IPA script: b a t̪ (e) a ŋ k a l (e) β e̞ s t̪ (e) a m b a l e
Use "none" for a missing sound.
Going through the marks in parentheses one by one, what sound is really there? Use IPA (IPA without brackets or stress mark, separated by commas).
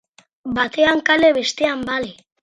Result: e, e, e